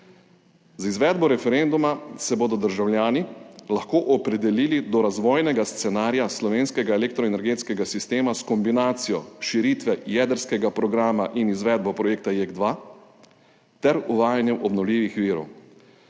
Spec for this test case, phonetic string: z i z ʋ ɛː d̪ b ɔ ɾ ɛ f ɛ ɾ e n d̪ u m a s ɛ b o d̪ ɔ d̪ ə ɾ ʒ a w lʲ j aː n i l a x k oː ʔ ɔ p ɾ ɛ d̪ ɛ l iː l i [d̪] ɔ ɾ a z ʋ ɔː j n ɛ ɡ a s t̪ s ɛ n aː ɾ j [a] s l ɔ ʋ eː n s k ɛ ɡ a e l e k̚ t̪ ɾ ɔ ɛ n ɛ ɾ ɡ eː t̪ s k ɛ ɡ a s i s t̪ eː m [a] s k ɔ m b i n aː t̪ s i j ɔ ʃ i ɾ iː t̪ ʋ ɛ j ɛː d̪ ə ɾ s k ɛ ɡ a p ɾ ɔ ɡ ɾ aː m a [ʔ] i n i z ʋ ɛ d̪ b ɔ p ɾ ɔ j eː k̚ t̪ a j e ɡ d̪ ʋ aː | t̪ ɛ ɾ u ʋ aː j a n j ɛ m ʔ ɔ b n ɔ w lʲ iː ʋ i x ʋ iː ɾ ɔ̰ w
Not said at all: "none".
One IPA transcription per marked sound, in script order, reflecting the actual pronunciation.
d̪, a, a, ʔ

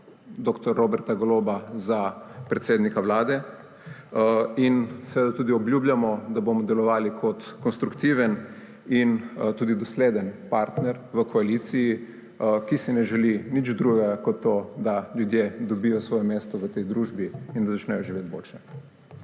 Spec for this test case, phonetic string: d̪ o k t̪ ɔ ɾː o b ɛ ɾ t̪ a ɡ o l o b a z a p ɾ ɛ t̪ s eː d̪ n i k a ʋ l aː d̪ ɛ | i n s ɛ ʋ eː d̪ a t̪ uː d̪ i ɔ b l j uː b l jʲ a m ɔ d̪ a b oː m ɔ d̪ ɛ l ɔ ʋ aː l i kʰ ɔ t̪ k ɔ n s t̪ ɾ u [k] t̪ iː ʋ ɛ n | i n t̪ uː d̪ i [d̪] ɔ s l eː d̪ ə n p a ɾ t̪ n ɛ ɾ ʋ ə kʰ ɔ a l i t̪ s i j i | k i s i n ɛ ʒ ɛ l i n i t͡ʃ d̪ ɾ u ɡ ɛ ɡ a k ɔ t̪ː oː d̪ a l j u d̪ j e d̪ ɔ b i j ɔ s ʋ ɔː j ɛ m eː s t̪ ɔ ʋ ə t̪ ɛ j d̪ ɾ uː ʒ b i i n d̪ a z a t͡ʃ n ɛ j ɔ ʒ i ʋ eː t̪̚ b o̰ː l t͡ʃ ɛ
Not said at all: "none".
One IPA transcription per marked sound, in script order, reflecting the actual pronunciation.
k, d̪

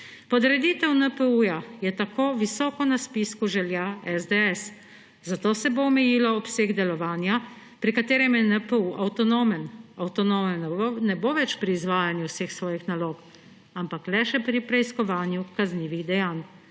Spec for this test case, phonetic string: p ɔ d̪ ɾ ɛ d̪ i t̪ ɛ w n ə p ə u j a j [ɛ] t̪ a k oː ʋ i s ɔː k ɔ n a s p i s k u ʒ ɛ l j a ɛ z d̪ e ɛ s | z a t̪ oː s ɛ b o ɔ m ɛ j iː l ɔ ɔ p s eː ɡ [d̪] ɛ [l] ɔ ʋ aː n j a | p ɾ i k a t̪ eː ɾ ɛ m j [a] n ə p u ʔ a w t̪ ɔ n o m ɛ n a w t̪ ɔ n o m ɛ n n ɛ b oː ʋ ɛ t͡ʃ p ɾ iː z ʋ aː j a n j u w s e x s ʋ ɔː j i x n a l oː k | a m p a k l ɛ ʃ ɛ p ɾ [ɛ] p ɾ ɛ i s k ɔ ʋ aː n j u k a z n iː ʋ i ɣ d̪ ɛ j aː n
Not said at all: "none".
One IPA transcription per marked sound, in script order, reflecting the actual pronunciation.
ɛ, d̪, l, ɛ, i

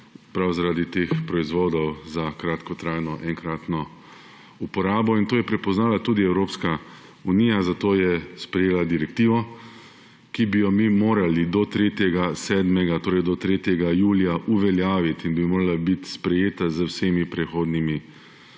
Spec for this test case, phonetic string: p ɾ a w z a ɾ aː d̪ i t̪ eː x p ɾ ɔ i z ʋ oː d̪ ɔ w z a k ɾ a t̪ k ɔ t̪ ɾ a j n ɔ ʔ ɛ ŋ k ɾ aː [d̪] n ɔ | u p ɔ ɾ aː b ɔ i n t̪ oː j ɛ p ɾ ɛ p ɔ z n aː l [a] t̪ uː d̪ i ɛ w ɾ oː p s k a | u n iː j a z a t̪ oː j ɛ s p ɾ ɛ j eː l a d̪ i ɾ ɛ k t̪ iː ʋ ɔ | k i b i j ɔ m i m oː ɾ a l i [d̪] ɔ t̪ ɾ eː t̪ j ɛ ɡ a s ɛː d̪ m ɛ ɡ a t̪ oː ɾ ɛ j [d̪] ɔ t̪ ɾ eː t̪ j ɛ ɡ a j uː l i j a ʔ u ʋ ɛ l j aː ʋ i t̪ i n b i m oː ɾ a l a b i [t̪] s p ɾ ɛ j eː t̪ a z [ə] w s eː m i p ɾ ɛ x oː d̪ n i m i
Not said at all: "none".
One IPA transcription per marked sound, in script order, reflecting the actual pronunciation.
t̪, a, d̪, d̪, t̪, ə

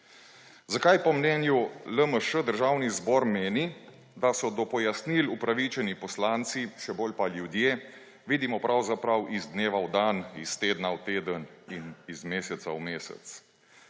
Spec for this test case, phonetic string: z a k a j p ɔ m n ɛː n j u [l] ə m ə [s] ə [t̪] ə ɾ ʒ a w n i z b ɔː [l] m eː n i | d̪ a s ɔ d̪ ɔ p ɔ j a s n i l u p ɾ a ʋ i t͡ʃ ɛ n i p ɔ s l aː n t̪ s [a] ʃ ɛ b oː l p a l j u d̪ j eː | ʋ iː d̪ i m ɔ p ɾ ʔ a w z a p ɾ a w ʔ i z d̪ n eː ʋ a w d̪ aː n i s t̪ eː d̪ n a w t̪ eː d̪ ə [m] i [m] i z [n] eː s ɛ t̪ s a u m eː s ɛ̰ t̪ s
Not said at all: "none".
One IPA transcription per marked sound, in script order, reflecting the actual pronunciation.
l, ʃ, d̪, ɾ, i, n, n, m

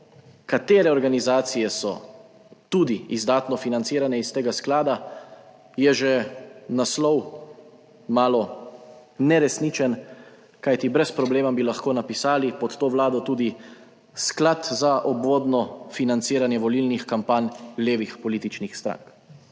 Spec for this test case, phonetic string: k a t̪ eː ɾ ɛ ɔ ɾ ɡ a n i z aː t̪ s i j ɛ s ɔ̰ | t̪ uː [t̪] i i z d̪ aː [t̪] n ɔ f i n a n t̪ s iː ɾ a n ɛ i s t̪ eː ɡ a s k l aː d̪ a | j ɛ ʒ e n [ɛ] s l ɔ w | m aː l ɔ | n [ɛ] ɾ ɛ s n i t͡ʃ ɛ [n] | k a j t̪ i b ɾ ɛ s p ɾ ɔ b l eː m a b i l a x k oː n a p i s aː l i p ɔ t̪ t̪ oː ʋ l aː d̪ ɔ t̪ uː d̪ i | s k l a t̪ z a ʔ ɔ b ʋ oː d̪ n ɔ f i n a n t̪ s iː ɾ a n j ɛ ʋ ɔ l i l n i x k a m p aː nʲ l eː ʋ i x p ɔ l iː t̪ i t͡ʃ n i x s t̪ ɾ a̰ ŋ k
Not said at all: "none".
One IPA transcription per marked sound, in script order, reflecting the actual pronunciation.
d̪, t̪, a, ɛ, n

